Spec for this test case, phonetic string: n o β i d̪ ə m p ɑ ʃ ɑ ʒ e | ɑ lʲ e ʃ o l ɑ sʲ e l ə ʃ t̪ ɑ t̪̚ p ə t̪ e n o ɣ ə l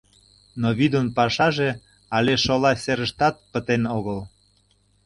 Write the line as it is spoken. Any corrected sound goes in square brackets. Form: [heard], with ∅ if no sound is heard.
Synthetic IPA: n o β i d̪ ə [n] p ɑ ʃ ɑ ʒ e | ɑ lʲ e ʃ o l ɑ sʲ e [ɾ] ə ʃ t̪ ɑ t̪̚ p ə t̪ e n o ɣ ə l